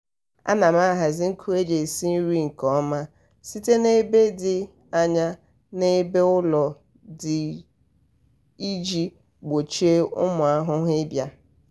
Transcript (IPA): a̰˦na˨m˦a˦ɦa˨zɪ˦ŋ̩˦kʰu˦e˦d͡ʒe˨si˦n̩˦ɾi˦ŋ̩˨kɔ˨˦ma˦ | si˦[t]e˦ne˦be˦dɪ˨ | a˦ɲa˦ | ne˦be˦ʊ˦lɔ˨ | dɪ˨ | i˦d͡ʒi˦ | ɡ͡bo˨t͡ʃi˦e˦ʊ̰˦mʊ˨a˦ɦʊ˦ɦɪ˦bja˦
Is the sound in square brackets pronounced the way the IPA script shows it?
yes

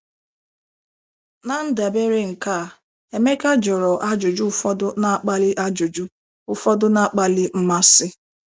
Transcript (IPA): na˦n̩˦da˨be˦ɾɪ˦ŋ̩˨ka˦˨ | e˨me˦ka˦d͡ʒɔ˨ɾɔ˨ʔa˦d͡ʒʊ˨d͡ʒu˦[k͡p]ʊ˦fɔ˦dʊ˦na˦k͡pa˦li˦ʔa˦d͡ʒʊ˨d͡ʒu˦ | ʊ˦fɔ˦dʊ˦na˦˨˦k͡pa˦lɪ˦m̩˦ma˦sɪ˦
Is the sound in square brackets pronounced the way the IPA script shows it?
no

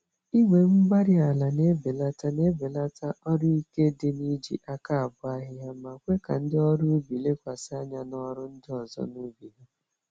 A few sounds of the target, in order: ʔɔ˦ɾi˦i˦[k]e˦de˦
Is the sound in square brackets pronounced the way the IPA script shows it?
yes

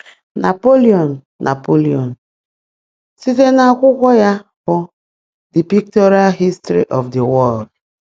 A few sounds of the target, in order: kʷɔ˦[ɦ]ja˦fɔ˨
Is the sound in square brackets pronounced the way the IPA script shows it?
no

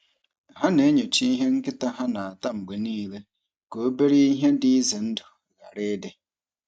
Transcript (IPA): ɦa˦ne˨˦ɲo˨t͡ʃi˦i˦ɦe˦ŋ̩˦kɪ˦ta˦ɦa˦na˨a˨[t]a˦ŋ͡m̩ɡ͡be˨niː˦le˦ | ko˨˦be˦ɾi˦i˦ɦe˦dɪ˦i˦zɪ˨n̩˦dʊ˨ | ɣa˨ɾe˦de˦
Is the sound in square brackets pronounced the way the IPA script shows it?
yes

